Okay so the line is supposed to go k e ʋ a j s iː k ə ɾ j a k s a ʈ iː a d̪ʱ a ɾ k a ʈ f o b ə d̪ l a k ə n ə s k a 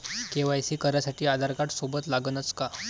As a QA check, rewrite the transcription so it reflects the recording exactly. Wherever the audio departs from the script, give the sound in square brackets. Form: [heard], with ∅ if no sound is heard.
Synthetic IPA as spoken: k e ʋ a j s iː k ə ɾ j a [∅] s a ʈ iː a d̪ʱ a ɾ k a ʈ [s] o b ə [t̪] l a [ɡ] ə n ə [t͡s] k a